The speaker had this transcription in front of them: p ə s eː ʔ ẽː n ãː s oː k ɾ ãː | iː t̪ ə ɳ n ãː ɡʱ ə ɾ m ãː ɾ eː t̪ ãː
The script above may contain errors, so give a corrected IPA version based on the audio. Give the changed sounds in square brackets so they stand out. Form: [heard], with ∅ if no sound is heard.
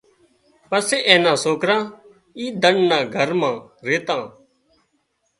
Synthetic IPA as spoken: p ə s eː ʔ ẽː n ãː s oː k ɾ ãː | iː [d̪] ə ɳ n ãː ɡʱ ə ɾ m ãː ɾ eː t̪ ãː